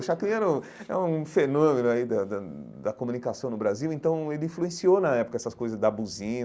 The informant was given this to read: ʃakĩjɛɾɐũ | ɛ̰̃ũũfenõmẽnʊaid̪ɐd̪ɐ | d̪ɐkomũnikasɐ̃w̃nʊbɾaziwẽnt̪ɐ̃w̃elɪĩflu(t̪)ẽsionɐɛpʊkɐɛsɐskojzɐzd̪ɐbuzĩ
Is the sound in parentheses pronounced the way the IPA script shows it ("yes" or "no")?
no